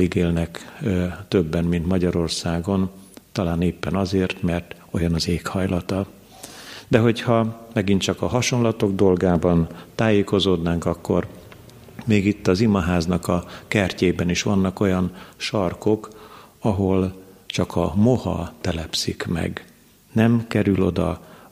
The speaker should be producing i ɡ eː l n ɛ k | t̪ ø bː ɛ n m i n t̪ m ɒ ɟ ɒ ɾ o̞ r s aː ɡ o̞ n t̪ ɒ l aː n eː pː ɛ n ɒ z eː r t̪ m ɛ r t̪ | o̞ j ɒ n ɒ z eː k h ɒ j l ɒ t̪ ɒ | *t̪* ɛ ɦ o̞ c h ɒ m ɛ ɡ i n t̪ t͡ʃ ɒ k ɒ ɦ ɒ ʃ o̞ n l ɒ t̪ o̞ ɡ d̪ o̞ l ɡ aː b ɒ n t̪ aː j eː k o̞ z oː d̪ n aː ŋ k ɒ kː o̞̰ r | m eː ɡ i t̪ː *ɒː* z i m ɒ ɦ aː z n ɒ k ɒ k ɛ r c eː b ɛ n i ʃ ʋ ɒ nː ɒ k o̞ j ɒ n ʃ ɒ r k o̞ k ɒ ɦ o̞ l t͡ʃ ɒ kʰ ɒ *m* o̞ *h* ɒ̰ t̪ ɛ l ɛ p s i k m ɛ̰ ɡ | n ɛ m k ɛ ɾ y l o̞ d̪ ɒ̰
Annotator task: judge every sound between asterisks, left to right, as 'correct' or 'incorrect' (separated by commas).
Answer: incorrect, incorrect, correct, correct